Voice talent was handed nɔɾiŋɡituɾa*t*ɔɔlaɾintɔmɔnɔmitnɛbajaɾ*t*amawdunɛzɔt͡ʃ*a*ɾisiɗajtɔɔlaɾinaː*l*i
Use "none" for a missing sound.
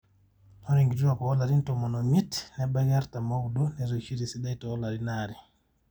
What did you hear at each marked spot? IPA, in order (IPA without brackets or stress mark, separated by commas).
k, t, i, ɾ